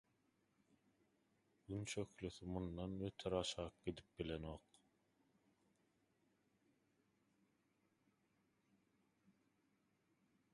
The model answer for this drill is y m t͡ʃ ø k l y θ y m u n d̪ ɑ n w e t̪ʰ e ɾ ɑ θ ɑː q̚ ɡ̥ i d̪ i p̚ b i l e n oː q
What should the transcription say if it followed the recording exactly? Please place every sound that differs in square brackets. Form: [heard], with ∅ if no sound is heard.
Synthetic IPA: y [n] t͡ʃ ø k l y θ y m u n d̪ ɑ n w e t̪ʰ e ɾ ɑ [ʃ] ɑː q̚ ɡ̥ i d̪ i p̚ b i l e n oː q